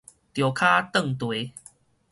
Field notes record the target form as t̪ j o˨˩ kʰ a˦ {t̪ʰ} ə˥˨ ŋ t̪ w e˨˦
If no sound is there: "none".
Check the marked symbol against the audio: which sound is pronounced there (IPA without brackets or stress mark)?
t̪